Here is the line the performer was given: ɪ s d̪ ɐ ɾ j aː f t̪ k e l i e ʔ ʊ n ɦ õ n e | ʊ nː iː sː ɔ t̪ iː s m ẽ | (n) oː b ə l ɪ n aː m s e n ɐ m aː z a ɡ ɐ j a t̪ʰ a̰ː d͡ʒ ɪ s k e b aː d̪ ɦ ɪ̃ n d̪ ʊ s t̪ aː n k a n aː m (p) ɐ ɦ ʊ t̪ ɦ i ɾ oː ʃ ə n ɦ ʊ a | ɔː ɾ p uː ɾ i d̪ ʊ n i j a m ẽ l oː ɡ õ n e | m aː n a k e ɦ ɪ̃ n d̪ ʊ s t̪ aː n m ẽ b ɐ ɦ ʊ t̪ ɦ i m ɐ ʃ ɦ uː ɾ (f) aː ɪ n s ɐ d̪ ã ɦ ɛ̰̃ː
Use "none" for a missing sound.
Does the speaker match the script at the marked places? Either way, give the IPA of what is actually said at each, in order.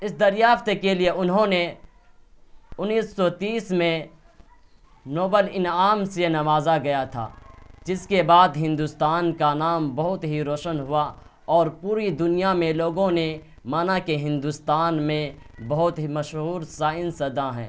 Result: n, b, s

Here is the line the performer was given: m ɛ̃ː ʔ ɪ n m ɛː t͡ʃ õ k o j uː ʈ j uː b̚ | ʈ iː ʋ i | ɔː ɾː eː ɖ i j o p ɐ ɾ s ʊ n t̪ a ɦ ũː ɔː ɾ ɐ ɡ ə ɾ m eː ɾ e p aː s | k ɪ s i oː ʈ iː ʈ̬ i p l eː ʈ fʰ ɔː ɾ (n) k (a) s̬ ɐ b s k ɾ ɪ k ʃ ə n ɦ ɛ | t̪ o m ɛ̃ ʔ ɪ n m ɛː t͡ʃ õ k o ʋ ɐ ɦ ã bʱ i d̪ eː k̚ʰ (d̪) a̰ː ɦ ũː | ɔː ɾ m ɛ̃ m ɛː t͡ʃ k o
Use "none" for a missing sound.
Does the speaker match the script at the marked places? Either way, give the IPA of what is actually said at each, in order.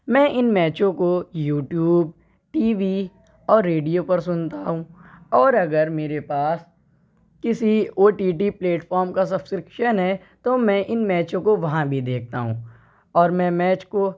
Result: m, a, t̪

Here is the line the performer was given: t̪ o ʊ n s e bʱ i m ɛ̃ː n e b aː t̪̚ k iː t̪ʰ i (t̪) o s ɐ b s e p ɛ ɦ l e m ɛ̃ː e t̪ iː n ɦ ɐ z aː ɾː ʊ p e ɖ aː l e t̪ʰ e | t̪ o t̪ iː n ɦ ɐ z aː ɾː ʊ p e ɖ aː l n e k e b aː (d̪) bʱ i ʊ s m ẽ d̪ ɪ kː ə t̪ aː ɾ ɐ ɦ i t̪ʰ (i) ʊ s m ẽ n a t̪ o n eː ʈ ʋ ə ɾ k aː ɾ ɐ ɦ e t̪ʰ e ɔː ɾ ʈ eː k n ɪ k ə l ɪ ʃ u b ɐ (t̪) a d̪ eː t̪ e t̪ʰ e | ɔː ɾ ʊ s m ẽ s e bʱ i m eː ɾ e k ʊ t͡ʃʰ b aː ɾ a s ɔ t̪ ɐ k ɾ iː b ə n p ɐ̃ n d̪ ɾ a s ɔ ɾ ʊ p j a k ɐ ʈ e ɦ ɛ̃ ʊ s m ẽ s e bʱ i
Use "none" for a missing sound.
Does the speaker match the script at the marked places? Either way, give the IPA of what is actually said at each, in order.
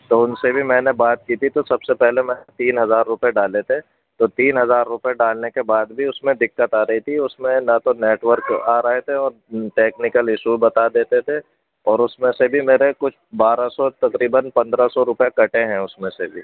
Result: t̪, d̪, i, t̪

